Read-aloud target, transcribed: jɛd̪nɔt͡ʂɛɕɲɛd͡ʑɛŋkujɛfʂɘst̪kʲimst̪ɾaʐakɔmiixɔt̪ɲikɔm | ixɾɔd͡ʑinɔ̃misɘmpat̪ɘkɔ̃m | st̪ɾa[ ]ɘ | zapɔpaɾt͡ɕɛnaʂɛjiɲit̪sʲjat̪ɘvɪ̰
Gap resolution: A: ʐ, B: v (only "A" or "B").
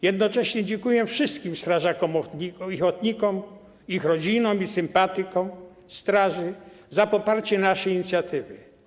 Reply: A